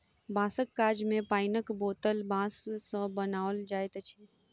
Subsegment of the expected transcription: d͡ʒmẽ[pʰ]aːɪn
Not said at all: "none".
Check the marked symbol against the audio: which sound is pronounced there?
p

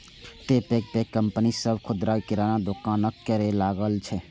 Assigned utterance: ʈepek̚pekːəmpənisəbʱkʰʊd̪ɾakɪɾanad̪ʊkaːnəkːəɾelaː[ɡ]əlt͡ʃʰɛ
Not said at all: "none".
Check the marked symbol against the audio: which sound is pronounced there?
ɡ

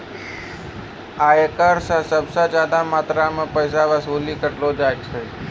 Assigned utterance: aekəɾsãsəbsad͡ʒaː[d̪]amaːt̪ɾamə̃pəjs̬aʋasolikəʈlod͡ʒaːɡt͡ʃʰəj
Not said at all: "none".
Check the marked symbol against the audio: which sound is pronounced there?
d̪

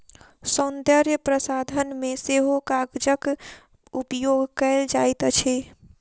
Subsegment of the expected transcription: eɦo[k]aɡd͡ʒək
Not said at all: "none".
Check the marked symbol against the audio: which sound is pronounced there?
k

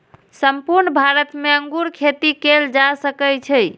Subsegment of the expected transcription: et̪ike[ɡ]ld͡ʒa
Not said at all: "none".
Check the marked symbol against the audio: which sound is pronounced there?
none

